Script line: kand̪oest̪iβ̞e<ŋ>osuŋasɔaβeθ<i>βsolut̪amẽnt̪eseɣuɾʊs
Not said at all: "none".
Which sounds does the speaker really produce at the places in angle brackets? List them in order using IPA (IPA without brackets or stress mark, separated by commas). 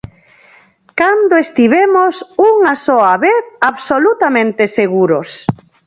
m, a